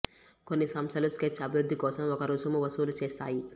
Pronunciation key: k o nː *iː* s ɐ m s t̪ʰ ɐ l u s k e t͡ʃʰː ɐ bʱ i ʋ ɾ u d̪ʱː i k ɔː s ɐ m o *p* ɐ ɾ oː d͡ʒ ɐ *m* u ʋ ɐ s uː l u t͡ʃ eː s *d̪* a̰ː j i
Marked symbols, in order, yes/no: no, no, yes, no

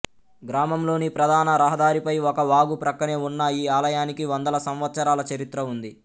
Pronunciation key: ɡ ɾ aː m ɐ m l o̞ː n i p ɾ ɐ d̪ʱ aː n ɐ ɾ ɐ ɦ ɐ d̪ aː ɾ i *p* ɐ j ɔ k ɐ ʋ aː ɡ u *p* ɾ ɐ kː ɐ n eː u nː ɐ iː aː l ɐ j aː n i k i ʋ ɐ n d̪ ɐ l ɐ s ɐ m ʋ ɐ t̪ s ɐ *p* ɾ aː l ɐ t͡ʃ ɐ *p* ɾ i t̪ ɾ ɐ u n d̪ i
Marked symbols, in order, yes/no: yes, yes, no, no

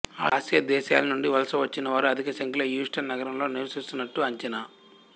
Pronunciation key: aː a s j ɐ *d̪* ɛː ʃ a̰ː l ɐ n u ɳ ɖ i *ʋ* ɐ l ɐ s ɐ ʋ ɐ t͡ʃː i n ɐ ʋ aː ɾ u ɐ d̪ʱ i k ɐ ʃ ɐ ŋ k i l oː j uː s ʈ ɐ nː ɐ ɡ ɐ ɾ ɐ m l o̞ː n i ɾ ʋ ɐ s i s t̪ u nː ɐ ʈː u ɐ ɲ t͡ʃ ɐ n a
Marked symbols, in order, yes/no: yes, yes

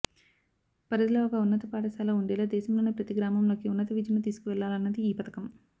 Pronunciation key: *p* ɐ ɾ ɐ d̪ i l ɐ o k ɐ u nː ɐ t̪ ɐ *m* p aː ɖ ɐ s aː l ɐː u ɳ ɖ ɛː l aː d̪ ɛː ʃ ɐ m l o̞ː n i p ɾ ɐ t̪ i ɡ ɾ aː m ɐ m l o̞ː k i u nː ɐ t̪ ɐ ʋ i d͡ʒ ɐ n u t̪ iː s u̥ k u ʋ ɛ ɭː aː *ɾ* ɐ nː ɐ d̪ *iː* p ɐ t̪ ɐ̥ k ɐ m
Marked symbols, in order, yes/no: yes, no, no, yes

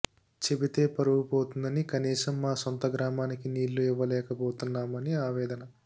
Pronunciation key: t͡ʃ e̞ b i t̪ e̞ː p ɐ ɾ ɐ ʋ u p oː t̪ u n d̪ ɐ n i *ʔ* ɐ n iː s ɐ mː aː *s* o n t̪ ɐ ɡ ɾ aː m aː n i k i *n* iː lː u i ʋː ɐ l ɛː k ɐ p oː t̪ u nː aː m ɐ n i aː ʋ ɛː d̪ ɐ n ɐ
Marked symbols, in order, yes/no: no, yes, yes

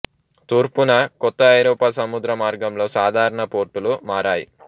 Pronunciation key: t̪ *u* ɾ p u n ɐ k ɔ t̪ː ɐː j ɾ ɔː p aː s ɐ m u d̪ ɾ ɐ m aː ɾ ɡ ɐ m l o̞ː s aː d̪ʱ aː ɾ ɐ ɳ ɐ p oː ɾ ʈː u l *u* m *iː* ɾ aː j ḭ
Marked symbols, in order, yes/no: no, yes, no

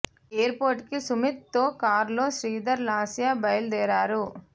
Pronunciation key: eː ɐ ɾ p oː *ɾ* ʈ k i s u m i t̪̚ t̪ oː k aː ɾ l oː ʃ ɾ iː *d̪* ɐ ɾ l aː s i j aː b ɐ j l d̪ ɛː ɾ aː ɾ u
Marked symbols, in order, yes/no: yes, yes

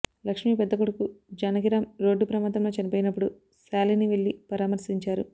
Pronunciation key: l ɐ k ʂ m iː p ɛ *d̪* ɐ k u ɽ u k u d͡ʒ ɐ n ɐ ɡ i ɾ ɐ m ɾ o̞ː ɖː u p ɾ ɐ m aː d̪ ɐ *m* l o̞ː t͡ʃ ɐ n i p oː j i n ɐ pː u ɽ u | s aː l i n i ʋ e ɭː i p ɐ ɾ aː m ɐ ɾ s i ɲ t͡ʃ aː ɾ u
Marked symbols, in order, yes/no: no, yes

